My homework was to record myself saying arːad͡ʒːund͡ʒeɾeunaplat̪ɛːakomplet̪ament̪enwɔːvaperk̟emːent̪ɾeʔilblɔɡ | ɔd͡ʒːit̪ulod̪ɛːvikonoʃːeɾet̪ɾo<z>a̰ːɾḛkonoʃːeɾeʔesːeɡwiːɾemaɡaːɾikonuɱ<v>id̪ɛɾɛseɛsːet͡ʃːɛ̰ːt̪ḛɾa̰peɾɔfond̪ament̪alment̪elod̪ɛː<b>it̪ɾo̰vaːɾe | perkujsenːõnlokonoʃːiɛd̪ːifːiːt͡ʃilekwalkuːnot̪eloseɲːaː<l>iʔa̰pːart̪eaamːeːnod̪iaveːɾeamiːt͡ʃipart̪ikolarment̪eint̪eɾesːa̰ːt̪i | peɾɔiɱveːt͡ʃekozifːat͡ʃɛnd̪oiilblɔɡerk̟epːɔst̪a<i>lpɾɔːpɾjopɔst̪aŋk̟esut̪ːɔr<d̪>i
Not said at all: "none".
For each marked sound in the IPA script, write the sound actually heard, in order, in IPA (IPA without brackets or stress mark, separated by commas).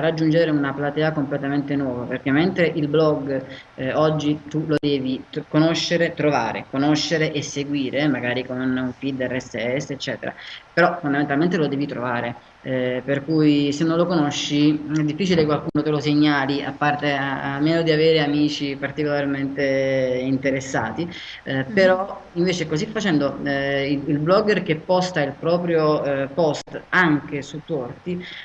v, f, v, l, i, t̪